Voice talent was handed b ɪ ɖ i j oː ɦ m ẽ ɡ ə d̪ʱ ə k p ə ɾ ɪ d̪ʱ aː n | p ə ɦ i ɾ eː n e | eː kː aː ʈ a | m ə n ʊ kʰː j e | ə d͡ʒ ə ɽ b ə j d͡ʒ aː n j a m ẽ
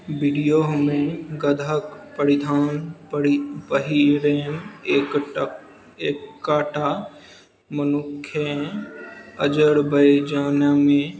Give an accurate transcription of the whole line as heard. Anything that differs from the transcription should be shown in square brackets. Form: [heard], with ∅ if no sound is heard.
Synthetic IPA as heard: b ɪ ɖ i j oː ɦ m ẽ ɡ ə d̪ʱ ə k p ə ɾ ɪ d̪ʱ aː n | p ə ɦ i ɾ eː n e | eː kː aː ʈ a | m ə n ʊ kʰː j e | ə d͡ʒ ə ɽ b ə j d͡ʒ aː n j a m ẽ

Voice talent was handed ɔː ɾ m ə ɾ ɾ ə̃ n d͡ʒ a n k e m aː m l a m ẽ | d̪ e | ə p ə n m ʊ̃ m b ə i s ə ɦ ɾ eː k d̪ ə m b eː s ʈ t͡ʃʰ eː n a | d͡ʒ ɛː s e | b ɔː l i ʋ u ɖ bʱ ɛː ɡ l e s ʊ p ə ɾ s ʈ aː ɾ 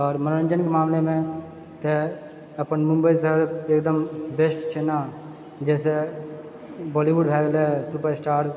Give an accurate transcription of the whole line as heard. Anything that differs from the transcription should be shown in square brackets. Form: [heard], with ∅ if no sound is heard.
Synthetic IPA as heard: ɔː ɾ m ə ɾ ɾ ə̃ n d͡ʒ [ə] n k e m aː m l [e] m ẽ | [t̪] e | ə p ə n m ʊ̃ m b ə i s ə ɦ ɾ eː k d̪ ə m b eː s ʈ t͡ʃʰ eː n a | d͡ʒ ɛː s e | b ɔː l i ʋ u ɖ bʱ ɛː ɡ l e s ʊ p ə ɾ s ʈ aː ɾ

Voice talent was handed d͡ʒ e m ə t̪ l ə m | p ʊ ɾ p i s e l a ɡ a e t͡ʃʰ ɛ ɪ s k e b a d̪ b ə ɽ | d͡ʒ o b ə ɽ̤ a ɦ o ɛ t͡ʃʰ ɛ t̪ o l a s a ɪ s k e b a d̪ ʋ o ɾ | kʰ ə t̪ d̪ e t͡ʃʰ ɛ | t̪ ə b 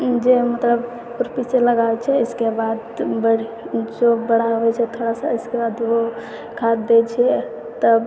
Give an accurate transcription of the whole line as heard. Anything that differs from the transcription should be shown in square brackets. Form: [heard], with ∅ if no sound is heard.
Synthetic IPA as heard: d͡ʒ e m ə t̪ l ə [b] | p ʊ ɾ p i s e l [ə] ɡ a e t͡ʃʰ ɛ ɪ s k e b a d̪ b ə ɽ | d͡ʒ o b ə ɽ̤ a ɦ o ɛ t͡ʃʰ ɛ [t̪ʰ] o [ɽ] a s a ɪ s k e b a d̪ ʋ o [∅] | kʰ [a] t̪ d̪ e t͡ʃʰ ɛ | t̪ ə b

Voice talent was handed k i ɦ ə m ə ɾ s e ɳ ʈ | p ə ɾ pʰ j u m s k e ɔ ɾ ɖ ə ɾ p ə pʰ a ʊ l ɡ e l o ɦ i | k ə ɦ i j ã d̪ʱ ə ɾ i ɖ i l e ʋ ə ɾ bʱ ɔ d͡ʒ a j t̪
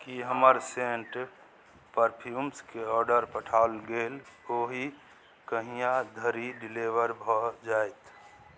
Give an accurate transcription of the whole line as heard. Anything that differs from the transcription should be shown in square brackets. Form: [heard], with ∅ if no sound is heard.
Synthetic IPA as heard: k i ɦ ə m ə ɾ s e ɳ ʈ | p ə ɾ pʰ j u m s k e ɔ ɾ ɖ ə ɾ p ə [ʈʰ] a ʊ l ɡ e l o ɦ i | k ə ɦ i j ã d̪ʱ ə ɾ i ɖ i l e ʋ ə ɾ bʱ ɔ d͡ʒ a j t̪

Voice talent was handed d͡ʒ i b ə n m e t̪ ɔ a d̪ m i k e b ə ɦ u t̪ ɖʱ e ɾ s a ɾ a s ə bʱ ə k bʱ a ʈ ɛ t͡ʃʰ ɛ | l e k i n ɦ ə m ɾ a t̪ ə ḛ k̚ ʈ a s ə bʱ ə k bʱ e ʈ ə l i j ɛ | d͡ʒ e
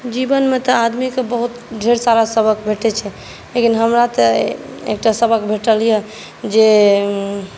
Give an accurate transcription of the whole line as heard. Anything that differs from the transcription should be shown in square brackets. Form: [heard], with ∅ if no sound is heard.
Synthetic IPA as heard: d͡ʒ i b ə n m e t̪ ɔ a d̪ m i k e b ə ɦ u t̪ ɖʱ e ɾ s a ɾ a s ə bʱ ə k bʱ [e] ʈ ɛ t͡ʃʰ ɛ | l e k i n ɦ ə m ɾ a t̪ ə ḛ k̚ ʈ a s ə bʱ ə k bʱ e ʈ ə l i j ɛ | d͡ʒ e

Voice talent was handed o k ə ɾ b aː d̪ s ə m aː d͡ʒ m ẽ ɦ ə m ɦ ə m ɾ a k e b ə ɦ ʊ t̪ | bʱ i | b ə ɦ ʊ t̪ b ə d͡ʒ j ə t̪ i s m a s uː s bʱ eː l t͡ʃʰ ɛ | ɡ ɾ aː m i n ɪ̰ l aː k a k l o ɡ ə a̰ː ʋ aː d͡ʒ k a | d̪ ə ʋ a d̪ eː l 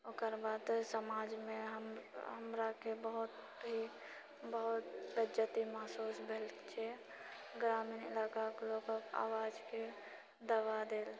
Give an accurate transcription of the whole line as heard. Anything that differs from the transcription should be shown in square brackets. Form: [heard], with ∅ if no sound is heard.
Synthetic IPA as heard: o k ə ɾ b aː d̪ s ə m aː d͡ʒ m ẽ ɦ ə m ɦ ə m ɾ a k e b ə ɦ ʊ t̪ | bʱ i | b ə ɦ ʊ t̪ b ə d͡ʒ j ə t̪ i [∅] m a s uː s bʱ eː l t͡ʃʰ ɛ | ɡ ɾ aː m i n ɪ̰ l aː k a k l o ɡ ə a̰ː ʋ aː d͡ʒ k [e] | d̪ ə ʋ a d̪ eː l

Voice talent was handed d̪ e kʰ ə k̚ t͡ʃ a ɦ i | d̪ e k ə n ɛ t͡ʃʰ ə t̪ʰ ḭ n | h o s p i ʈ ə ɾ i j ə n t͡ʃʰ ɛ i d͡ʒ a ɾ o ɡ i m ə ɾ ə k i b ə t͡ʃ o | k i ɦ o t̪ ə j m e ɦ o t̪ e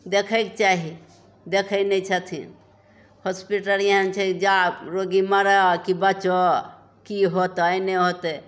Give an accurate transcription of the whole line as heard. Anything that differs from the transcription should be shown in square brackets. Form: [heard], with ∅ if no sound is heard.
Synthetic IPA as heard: d̪ e kʰ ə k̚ t͡ʃ a ɦ i | d̪ e [kʰ] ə n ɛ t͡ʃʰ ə t̪ʰ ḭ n | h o s p i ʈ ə ɾ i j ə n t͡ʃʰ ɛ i d͡ʒ a ɾ o ɡ i m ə ɾ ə k i b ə t͡ʃ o | k i ɦ o t̪ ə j [n] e ɦ o t̪ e

